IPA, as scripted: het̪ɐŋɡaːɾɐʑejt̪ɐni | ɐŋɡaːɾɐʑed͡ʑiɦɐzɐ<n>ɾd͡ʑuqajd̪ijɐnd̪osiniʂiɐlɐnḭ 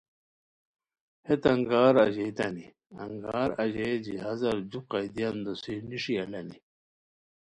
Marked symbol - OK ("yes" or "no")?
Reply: no